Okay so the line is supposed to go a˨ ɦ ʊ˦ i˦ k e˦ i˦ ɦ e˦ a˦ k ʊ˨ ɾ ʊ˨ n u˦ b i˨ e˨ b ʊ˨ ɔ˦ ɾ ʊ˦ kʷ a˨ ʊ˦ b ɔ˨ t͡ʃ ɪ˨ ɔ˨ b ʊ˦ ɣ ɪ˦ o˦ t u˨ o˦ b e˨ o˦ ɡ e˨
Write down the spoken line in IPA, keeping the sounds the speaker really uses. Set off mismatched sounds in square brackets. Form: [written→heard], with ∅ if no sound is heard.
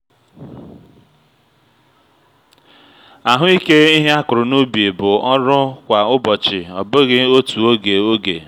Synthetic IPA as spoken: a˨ ɦ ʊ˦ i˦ k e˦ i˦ ɦ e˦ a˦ k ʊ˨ ɾ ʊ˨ n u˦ b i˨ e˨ b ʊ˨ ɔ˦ ɾ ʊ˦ kʷ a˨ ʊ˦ b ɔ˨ t͡ʃ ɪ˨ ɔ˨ b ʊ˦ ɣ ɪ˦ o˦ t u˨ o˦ [b→ɡ] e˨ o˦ ɡ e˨